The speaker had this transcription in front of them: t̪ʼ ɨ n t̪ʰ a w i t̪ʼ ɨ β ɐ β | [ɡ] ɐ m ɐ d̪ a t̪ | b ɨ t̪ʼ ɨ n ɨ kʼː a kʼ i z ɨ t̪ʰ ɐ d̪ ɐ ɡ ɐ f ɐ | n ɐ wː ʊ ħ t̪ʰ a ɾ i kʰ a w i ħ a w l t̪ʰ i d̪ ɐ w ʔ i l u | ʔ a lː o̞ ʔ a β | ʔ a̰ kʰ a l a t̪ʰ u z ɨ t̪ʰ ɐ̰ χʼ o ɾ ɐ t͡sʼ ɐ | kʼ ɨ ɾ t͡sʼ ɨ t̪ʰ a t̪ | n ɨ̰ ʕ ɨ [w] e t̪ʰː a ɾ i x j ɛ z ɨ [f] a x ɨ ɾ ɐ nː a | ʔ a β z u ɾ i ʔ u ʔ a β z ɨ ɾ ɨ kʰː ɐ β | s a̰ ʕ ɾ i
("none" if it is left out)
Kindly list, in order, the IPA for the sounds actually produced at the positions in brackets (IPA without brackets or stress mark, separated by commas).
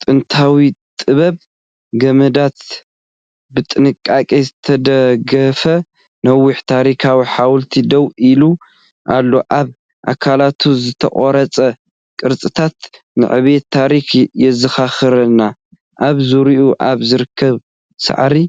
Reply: ɡ, β, x